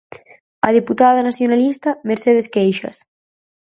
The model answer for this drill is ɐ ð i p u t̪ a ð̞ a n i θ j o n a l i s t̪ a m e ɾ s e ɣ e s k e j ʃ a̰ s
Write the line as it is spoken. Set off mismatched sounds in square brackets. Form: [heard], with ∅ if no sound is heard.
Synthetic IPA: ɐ ð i p u t̪ a ð̞ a n [a] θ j o n a l i s t̪ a m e ɾ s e [ð] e s k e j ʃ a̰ s